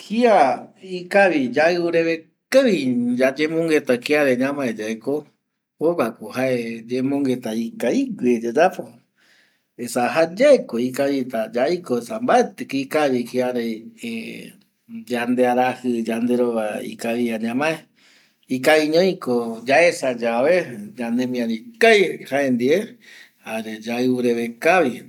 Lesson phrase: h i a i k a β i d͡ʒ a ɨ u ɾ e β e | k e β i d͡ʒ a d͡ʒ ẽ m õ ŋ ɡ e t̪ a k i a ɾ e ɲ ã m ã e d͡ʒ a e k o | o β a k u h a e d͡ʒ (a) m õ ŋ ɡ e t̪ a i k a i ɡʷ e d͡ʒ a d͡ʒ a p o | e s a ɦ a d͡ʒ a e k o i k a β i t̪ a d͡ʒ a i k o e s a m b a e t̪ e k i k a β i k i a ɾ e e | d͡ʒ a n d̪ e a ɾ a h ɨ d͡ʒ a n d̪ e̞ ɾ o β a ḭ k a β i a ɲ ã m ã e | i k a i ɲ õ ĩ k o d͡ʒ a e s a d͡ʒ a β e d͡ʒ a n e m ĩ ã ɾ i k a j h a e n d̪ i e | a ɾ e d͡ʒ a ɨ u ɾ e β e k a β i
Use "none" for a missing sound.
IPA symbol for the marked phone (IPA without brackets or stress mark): e